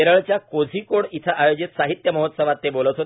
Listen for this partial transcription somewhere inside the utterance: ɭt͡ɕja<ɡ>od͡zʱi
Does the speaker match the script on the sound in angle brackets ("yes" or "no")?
no